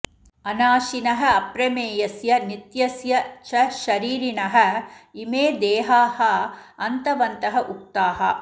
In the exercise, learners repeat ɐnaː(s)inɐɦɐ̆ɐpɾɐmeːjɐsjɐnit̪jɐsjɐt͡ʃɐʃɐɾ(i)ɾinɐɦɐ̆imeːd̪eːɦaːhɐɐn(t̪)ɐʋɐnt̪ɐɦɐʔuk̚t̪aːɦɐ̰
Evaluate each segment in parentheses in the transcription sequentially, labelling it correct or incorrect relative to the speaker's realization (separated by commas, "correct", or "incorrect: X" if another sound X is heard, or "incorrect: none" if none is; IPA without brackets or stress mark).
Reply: incorrect: ʃ, incorrect: iː, correct